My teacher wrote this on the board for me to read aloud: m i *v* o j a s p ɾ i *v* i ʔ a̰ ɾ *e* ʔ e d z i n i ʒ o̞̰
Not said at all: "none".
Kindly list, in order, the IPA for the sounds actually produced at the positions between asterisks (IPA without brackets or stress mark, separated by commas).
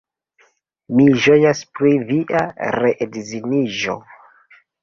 ʒ, v, e